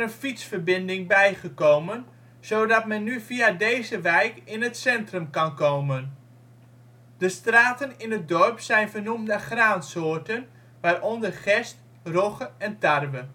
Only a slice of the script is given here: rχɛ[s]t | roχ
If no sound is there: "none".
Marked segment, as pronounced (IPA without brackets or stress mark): s